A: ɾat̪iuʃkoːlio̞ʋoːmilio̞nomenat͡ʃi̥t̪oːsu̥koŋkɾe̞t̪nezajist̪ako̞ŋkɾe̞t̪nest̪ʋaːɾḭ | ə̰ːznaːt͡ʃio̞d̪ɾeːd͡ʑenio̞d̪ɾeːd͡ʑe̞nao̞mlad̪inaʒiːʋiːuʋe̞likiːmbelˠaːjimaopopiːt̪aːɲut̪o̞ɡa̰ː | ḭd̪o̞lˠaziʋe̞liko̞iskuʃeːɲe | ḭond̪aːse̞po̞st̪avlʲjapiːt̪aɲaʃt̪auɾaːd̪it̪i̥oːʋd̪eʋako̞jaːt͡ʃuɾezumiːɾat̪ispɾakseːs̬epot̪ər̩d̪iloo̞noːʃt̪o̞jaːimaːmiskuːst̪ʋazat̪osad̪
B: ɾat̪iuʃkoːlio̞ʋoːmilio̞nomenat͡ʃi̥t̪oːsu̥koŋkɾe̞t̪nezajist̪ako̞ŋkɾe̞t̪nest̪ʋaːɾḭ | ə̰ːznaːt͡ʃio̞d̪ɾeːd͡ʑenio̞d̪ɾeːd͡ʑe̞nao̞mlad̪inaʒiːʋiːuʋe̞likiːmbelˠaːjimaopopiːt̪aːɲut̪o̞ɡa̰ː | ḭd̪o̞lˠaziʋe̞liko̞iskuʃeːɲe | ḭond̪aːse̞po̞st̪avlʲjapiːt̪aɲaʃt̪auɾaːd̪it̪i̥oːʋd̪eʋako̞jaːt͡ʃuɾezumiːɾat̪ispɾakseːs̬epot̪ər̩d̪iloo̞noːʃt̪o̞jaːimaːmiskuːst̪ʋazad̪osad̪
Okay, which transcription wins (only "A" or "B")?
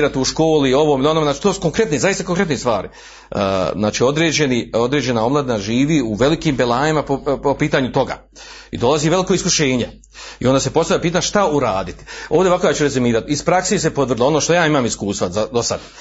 B